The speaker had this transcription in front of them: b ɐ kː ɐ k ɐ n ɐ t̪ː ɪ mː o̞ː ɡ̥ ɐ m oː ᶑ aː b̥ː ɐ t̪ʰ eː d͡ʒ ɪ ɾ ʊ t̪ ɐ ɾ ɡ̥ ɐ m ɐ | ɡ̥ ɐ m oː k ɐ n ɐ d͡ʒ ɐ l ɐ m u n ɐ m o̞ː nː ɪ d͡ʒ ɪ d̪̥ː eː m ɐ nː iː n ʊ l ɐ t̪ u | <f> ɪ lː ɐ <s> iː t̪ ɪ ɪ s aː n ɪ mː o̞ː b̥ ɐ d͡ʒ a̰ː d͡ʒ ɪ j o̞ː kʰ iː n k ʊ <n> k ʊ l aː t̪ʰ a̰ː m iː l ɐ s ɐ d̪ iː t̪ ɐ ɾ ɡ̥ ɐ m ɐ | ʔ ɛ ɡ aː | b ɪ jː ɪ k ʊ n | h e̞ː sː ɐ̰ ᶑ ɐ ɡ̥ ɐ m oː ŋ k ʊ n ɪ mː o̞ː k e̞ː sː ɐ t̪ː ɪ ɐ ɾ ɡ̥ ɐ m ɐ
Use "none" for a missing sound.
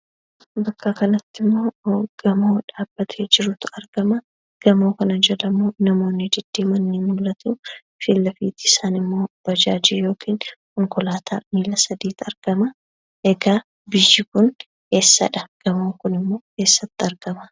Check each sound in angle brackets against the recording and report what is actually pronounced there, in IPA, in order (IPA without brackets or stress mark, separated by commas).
f, f, ŋ